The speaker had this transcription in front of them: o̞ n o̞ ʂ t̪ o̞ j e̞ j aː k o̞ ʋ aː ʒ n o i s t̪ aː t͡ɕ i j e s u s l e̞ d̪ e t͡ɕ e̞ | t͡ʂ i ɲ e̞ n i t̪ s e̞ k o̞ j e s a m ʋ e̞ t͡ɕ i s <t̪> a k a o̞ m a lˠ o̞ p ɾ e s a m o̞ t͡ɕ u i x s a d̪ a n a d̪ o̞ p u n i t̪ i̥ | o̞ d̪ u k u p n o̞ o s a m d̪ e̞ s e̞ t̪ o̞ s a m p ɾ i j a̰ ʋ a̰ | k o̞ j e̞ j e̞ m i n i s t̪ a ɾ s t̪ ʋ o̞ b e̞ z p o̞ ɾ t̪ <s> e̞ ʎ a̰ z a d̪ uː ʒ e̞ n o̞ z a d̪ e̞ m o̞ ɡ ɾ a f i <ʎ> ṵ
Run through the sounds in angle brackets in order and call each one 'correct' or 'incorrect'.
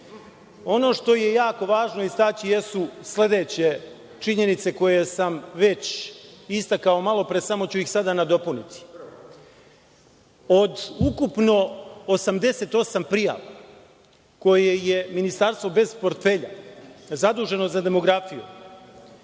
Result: correct, incorrect: f, incorrect: j

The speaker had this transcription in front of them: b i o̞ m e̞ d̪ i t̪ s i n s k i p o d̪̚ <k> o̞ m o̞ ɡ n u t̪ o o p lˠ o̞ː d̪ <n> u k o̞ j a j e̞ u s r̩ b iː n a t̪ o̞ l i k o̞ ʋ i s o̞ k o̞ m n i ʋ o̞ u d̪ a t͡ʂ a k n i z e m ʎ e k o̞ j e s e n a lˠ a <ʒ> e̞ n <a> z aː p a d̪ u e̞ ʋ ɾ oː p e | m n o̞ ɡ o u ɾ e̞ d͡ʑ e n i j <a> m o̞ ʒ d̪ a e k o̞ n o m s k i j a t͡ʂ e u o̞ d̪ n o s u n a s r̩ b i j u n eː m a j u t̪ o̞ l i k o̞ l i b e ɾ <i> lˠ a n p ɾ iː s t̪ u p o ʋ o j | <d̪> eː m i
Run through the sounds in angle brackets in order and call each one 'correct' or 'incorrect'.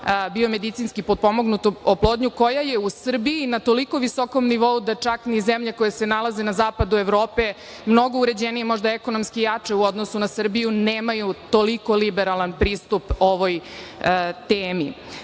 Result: incorrect: p, incorrect: ɲ, incorrect: z, correct, incorrect: e, incorrect: a, incorrect: t̪

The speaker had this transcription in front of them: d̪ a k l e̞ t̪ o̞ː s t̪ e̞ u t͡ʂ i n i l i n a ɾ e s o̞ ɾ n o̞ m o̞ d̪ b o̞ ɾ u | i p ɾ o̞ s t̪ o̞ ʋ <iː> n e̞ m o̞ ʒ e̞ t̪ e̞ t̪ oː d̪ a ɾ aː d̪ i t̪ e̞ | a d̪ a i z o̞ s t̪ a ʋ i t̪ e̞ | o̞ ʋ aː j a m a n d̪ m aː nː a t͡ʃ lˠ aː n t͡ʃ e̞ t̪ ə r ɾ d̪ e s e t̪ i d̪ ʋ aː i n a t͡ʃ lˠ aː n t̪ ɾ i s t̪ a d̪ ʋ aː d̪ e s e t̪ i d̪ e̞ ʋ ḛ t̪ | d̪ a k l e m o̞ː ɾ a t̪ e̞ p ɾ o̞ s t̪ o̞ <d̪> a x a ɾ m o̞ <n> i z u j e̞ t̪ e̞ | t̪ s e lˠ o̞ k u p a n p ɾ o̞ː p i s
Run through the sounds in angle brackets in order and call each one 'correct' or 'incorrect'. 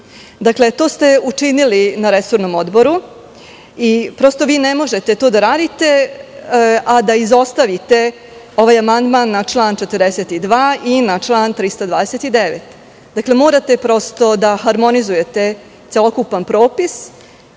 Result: correct, correct, correct

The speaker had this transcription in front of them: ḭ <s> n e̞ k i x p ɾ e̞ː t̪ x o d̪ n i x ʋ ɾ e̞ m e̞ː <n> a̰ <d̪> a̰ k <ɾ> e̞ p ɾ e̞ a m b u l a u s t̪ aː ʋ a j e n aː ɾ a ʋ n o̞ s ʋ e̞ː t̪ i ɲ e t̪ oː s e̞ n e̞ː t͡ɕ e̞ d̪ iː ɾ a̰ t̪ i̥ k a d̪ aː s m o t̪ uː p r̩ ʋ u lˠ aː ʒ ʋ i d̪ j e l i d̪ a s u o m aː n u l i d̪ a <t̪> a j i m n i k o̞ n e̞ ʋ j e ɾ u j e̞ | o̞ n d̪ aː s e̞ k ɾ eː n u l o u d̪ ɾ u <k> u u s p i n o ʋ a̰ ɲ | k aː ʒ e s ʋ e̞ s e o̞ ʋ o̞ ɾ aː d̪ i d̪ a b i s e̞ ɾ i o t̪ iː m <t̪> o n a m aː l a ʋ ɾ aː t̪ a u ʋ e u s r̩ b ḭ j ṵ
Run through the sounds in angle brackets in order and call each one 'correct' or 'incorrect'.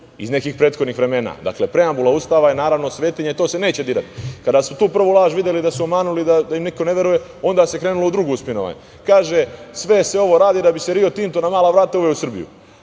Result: incorrect: z, correct, correct, incorrect: l, incorrect: d̪, incorrect: ɡ, correct

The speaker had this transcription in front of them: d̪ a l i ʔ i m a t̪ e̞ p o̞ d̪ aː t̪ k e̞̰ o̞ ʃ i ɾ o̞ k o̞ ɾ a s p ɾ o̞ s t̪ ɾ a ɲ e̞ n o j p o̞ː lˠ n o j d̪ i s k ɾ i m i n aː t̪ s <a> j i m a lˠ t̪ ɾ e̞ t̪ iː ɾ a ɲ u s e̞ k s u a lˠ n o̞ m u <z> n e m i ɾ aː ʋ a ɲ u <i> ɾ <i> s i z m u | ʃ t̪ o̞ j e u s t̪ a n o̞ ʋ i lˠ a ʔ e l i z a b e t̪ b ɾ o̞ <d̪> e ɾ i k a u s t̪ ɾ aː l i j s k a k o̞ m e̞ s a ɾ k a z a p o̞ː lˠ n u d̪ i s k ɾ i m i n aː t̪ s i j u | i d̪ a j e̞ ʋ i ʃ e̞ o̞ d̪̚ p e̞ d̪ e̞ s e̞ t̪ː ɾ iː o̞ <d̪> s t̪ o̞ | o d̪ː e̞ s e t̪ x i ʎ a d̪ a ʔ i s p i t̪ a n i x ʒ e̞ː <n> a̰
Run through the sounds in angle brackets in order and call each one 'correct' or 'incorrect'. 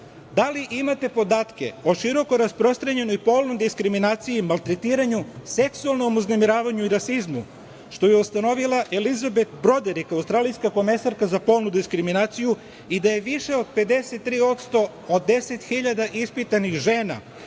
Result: incorrect: i, correct, correct, incorrect: a, correct, incorrect: t̪, correct

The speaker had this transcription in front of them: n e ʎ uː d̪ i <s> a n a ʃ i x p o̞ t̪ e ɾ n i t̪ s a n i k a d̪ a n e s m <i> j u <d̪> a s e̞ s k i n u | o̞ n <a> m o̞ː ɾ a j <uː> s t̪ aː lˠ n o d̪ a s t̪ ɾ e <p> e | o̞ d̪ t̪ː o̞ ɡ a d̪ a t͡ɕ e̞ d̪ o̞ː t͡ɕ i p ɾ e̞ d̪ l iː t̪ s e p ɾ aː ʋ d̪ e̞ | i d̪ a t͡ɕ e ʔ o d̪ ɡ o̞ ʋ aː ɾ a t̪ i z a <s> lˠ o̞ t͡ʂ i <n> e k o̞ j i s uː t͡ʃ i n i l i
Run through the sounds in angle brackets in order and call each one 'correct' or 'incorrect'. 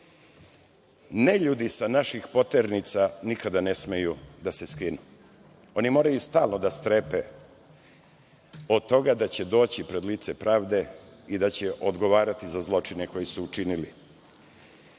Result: correct, incorrect: e, correct, incorrect: i, incorrect: u, correct, incorrect: z, correct

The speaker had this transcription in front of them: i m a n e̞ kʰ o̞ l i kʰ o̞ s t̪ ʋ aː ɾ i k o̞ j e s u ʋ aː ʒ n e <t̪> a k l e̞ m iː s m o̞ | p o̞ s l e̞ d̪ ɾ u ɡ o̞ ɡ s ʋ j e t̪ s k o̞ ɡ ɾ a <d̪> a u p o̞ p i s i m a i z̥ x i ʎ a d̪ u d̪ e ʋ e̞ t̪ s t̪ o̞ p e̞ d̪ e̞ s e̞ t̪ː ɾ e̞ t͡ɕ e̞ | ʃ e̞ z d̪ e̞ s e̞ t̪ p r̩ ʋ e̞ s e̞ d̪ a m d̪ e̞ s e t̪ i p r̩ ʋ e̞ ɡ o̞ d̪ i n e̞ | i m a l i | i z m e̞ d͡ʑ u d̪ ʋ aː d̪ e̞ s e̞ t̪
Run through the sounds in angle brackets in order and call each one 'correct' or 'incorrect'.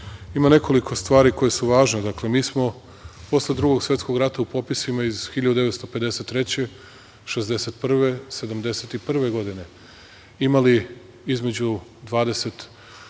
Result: incorrect: d̪, incorrect: t̪

